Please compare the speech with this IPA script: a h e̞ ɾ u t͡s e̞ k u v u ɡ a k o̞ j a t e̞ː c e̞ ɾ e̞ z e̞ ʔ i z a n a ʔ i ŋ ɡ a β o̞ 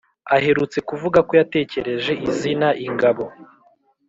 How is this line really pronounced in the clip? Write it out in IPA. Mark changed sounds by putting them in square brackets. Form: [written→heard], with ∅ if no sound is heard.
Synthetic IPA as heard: a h e̞ ɾ u t͡s e̞ k u v u ɡ a k o̞ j a t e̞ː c e̞ ɾ e̞ [z→ʒ] e̞ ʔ i z [a→i] n a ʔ i ŋ ɡ a β o̞